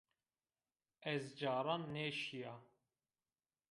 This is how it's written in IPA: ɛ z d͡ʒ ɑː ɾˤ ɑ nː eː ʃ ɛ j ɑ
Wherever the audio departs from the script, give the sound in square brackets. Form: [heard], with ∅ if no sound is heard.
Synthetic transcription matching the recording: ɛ z d͡ʒ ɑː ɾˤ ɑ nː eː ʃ [i] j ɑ